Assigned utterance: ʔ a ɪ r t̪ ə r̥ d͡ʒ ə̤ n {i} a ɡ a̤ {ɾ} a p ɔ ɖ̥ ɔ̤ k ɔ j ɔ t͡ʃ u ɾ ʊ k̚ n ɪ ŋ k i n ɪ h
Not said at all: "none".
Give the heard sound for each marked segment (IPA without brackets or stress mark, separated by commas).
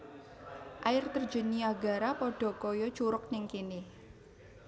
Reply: i, ɾ